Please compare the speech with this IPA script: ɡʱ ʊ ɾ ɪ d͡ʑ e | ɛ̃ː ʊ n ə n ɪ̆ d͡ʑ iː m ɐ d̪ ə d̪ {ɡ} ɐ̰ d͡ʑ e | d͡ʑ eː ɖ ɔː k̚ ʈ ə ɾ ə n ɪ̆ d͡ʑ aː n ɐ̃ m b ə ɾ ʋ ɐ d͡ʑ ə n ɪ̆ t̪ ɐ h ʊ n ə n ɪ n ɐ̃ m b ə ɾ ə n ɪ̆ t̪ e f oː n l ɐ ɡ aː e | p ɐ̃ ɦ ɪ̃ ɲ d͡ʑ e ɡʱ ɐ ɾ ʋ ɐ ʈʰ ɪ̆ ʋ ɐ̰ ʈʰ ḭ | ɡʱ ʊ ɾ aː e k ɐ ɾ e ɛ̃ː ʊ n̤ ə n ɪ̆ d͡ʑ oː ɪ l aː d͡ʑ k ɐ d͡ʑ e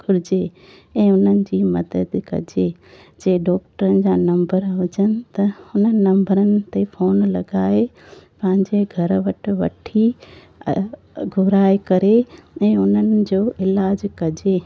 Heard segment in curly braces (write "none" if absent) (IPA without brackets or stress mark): k